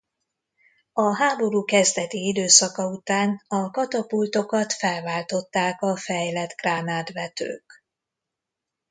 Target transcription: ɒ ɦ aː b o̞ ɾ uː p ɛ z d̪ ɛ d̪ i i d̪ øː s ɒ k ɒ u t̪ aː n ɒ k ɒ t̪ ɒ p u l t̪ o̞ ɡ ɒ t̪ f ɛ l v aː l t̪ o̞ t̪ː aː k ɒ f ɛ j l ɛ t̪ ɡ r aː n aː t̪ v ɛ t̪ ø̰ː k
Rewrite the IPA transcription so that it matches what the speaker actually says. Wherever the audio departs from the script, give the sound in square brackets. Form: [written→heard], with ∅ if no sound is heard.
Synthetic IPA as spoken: ɒ ɦ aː b o̞ ɾ uː [p→k] ɛ z d̪ ɛ [d̪→t̪] i i d̪ øː s ɒ k ɒ u t̪ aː n ɒ k ɒ t̪ ɒ p u l t̪ o̞ [ɡ→k] ɒ t̪ f ɛ l v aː l t̪ o̞ t̪ː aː k ɒ f ɛ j l ɛ t̪ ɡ r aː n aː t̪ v ɛ t̪ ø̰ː k

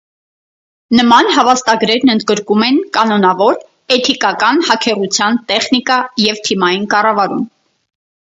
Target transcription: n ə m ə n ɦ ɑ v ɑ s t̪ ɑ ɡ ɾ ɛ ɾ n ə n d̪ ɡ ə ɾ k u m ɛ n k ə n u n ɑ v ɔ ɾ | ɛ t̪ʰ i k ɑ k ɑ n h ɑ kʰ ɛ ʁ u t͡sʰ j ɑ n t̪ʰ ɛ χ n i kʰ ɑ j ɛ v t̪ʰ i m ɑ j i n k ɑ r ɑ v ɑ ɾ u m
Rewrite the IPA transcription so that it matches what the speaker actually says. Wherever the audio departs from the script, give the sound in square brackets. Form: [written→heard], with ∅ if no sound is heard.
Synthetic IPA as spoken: n ə m [ə→ɑ] n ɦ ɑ v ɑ s t̪ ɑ ɡ ɾ ɛ ɾ n ə n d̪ ɡ ə ɾ k u m ɛ n k [ə→ɑ] n [u→ɔ] n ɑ v ɔ ɾ | ɛ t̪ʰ i k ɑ k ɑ n h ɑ kʰ ɛ ʁ u t͡sʰ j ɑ n [t̪ʰ→t̪] ɛ χ n i [kʰ→k] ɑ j ɛ v t̪ʰ i m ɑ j i n k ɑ r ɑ v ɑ ɾ u m

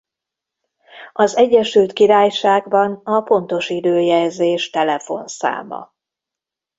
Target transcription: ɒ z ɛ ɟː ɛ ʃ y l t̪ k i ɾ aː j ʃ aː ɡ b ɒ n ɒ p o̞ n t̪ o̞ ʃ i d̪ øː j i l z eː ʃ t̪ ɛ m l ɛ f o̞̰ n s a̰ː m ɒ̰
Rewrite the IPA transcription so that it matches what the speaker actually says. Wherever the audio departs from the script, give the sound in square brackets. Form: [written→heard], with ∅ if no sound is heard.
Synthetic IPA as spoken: ɒ z ɛ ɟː ɛ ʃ y l t̪ k i ɾ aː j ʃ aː ɡ b ɒ n ɒ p o̞ n t̪ o̞ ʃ i d̪ øː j [i→ɛ] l z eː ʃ t̪ ɛ [m→∅] l ɛ f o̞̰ n s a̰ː m ɒ̰

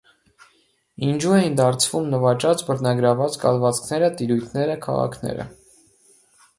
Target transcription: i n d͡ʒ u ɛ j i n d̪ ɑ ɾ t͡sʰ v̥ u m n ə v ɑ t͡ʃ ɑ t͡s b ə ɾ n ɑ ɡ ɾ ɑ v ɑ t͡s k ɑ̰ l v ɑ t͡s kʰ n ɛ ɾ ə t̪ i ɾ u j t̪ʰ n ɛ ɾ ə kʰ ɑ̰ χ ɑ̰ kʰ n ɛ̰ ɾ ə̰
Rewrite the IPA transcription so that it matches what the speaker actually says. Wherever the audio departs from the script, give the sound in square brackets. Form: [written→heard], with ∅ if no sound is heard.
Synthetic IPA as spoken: i n d͡ʒ u ɛ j i n d̪ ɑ ɾ t͡sʰ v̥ u m n ə v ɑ t͡ʃ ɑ t͡s b ə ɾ n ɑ ɡ ɾ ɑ v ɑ t͡s k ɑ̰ l v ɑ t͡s kʰ n ɛ ɾ ə t̪ i ɾ u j t̪ʰ n ɛ ɾ ə kʰ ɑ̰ [χ→ʁ] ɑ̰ kʰ n ɛ̰ ɾ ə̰

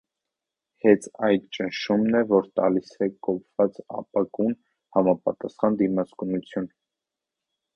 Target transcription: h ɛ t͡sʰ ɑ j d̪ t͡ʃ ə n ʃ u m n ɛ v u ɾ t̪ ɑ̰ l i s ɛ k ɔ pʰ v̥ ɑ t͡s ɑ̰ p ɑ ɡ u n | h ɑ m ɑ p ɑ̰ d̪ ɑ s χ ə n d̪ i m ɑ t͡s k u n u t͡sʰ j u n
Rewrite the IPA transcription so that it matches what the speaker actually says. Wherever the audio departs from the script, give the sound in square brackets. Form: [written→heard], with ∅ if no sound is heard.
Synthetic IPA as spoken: h ɛ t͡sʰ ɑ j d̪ t͡ʃ ə n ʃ u m n ɛ v [u→ɔ] ɾ t̪ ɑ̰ l i s ɛ k ɔ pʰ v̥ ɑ t͡s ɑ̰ p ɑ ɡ u n | h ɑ m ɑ p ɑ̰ [d̪→t̪] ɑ s χ [ə→ɑ] n d̪ i m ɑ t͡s k u n u t͡sʰ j u n

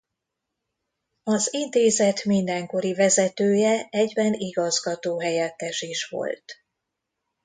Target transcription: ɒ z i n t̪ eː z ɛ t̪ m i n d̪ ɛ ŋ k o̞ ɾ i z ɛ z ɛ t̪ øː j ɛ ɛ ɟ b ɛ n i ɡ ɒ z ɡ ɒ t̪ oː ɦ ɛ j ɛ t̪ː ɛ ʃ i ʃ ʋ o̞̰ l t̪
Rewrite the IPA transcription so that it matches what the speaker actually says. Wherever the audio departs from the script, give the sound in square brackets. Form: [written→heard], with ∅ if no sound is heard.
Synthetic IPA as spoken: ɒ z i n t̪ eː z ɛ t̪ m i n d̪ ɛ ŋ k o̞ ɾ i [z→v] ɛ z ɛ t̪ øː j ɛ ɛ ɟ b ɛ n i ɡ ɒ z ɡ ɒ t̪ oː ɦ ɛ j ɛ t̪ː ɛ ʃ i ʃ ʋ o̞̰ l t̪

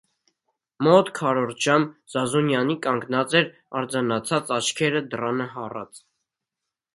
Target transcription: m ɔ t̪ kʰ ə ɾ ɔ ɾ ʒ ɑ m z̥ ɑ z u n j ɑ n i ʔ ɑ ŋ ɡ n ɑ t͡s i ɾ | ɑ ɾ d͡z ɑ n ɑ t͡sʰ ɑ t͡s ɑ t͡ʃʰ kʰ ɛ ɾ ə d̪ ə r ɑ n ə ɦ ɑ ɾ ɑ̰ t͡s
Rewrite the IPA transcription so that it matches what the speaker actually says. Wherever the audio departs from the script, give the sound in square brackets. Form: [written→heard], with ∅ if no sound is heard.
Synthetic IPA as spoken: m ɔ t̪ kʰ [ə→ɑ] ɾ ɔ ɾ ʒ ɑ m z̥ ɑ z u n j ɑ n i [ʔ→k] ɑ ŋ ɡ n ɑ t͡s [i→ɛ] ɾ | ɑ ɾ d͡z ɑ n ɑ t͡sʰ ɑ t͡s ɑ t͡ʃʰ kʰ ɛ ɾ ə d̪ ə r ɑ n ə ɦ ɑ [ɾ→r] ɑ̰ t͡s

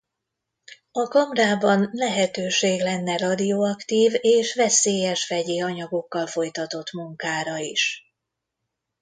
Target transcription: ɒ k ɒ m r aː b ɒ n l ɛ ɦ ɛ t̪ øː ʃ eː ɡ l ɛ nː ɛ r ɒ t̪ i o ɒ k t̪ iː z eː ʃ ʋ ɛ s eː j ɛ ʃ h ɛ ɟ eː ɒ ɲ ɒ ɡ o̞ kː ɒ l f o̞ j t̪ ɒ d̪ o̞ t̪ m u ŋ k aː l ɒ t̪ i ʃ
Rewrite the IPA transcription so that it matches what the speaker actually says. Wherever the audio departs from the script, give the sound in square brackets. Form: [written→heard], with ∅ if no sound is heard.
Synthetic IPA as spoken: ɒ k ɒ m r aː b ɒ n l ɛ ɦ ɛ t̪ øː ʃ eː ɡ l ɛ nː ɛ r ɒ [t̪→d̪] i o ɒ k t̪ iː [z→v] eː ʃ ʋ ɛ s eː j ɛ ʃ [h→f] ɛ ɟ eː ɒ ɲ ɒ ɡ o̞ kː ɒ l f o̞ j t̪ ɒ [d̪→t̪] o̞ t̪ m u ŋ k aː [l→ɾ] ɒ [t̪→∅] i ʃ

